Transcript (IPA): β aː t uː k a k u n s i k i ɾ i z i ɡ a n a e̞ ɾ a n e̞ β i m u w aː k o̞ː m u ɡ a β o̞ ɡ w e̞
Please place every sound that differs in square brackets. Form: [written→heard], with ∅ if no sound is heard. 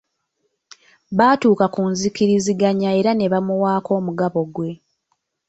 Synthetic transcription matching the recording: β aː t uː k a k u n [s→z] i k i ɾ i z i ɡ a [n→ɲ] a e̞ ɾ a n e̞ β [i→a] m u w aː k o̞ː m u ɡ a β o̞ ɡ w e̞